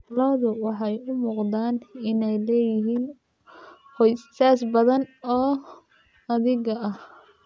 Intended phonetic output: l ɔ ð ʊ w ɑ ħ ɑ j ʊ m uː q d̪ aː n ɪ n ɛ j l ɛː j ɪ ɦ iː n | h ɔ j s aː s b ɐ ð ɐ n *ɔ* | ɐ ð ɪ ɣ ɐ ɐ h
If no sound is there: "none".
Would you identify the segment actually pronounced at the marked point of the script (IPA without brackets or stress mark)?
ɔː